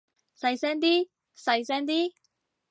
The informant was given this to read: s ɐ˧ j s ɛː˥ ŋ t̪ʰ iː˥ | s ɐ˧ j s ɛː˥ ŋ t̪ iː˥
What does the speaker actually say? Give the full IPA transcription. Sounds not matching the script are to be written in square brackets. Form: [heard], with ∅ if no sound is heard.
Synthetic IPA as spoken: s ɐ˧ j s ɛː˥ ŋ [t̪] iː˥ | s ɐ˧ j s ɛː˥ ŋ t̪ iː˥